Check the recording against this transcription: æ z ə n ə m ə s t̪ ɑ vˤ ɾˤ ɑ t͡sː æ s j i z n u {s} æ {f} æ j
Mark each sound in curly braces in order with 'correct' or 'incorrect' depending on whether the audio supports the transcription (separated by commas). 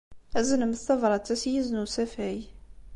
correct, correct